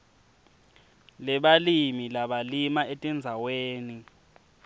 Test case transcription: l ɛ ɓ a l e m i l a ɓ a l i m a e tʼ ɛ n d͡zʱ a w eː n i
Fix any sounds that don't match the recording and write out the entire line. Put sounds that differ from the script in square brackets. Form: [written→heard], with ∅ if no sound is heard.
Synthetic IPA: l ɛ ɓ a l [e→i] m i l a ɓ a l i m a e tʼ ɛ n d͡zʱ a w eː n i